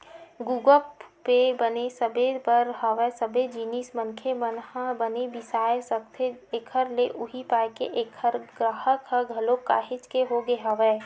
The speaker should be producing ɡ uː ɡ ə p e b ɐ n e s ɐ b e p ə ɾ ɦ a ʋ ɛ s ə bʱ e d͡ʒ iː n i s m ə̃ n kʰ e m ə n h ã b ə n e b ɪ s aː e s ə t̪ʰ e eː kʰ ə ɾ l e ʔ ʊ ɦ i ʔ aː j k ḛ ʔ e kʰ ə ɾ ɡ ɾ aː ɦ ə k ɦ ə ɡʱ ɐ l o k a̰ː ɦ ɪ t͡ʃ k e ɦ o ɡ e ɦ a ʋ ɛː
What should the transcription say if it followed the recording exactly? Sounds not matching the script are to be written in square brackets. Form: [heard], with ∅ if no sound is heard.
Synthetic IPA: ɡ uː ɡ ə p e b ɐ n e s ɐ b e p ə ɾ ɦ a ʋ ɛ s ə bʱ e d͡ʒ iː n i s m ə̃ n kʰ e m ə n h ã b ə n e b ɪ s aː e s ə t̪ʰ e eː kʰ ə ɾ l e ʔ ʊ ɦ i [p] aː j k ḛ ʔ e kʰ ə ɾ ɡ ɾ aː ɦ ə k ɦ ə ɡʱ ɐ l o k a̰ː ɦ ɪ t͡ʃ k e ɦ o ɡ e ɦ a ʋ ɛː